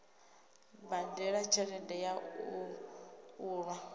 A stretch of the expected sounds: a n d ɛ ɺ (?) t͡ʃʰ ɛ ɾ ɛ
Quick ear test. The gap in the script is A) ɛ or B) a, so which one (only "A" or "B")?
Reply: B